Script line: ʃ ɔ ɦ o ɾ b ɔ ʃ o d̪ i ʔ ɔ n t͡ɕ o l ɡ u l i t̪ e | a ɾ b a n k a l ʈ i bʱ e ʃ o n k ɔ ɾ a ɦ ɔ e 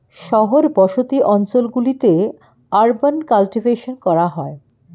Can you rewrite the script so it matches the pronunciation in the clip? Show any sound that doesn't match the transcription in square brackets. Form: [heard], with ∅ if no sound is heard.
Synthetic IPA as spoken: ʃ ɔ ɦ o ɾ b ɔ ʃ o [t̪] i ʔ ɔ n t͡ɕ o l ɡ u l i t̪ e | a ɾ b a n k a l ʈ i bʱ e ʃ o n k ɔ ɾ a ɦ ɔ e